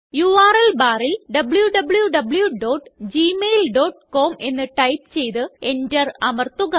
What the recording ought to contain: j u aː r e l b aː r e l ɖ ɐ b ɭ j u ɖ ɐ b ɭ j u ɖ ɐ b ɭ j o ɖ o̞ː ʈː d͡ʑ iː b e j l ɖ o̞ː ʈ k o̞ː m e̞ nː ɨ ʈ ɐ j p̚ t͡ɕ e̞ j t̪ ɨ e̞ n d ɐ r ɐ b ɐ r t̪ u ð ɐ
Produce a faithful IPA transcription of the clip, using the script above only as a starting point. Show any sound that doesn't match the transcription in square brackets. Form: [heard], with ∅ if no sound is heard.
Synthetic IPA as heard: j u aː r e l b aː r [i] l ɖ ɐ b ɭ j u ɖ ɐ b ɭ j u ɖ ɐ b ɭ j [u] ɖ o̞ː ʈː d͡ʑ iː [m] e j l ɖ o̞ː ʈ k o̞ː m e̞ nː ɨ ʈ ɐ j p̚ t͡ɕ e̞ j t̪ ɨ e̞ n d ɐ r ɐ [m] ɐ r t̪ u [ɣ] ɐ